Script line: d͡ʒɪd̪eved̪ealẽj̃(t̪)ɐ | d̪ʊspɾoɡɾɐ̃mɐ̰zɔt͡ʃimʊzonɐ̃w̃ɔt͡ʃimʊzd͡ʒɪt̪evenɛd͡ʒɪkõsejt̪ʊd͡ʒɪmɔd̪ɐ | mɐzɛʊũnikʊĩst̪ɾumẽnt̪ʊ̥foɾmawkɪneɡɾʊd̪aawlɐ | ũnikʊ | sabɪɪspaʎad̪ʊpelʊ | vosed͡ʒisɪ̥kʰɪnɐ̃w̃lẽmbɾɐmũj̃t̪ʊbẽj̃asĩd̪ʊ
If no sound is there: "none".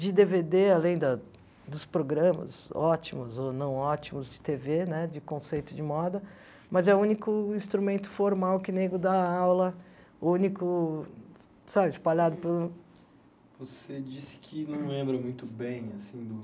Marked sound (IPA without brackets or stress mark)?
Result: d̪